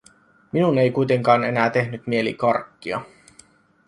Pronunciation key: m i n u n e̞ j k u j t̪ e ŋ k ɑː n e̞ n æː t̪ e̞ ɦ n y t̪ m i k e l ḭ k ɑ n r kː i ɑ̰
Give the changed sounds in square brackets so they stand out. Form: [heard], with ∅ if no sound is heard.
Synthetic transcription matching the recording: m i n u n e̞ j k u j t̪ e ŋ k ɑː n e̞ n æː t̪ e̞ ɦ n y t̪ m i [∅] e l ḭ k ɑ [∅] r kː i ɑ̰